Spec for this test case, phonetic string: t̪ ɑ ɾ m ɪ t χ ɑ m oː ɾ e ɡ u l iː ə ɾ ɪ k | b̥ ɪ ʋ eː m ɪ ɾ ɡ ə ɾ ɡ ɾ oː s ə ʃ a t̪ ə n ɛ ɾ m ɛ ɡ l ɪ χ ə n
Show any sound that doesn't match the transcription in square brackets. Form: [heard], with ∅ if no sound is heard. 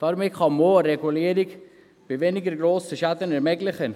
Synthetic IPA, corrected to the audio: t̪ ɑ ɾ m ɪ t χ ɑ m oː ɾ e ɡ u l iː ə ɾ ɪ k | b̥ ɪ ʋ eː [n] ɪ [∅] ɡ ə ɾ ɡ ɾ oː s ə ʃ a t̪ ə n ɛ ɾ m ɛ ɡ l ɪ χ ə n